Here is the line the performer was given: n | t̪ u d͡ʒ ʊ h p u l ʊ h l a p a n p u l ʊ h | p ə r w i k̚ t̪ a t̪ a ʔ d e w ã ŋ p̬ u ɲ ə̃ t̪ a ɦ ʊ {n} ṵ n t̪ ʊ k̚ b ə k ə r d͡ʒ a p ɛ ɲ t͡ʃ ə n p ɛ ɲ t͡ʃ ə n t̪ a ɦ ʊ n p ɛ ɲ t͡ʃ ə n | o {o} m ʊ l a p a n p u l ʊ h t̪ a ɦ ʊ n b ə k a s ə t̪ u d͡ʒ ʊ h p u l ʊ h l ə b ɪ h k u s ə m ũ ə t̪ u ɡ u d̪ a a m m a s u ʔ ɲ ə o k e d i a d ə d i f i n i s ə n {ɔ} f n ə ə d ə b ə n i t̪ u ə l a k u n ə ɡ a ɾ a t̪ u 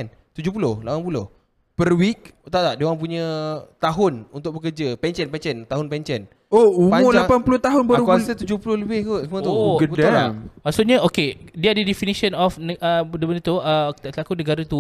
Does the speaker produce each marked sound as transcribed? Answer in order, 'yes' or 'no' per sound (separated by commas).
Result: yes, no, yes